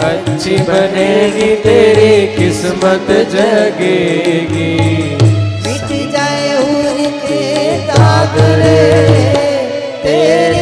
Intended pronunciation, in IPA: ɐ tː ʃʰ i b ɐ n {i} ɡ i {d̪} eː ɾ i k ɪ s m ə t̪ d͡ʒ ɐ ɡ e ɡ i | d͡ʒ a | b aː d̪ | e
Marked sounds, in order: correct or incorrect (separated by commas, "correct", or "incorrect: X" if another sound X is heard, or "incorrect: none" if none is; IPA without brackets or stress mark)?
incorrect: e, incorrect: t̪